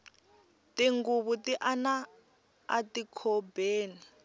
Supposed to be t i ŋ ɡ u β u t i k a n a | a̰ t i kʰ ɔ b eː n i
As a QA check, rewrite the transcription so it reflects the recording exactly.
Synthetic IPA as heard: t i ŋ ɡ u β u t i ʔ a n a | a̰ t i kʰ ɔ b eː n i